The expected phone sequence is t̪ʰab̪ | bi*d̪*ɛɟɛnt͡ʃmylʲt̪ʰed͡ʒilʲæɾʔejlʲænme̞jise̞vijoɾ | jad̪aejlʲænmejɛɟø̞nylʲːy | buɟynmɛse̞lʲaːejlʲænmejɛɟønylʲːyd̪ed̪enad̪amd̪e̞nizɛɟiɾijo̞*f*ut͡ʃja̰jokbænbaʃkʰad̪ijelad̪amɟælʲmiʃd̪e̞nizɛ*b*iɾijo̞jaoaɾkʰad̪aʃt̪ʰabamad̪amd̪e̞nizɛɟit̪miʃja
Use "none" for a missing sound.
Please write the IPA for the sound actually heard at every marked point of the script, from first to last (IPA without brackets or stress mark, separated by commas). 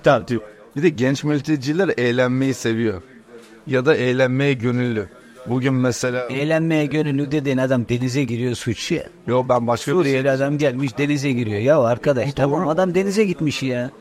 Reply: d̪, s, ɟ